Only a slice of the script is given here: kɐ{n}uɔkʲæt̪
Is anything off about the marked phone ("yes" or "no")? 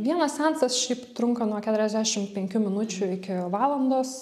no